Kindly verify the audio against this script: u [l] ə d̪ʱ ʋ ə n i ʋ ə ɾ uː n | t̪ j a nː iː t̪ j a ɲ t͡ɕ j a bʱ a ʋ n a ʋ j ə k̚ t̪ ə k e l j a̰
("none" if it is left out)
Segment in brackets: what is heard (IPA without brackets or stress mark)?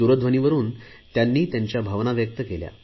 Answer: ɾ